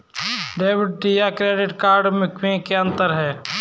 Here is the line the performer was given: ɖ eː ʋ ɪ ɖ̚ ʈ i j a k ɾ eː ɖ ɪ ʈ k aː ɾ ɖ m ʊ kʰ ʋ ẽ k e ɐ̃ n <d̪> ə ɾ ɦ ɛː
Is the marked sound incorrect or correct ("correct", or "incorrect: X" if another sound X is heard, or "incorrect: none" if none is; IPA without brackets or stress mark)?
incorrect: t̪